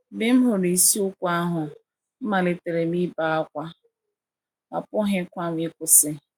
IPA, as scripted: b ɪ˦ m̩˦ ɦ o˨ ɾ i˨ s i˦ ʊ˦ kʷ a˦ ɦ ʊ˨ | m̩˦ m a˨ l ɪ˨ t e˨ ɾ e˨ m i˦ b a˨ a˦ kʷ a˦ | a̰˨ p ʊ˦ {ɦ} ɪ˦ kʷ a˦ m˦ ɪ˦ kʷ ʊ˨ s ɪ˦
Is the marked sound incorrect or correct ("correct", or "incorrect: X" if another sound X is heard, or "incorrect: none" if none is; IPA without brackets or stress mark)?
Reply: correct